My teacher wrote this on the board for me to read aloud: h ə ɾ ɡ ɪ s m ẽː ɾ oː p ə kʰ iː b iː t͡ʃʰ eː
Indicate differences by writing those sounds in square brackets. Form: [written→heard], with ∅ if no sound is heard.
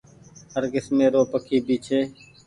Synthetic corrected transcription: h ə ɾ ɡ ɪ s m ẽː ɾ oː p ə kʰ iː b iː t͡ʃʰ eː